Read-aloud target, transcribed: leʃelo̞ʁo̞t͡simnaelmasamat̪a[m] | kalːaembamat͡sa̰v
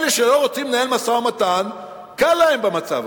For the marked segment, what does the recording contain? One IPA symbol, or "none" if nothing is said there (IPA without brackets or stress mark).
n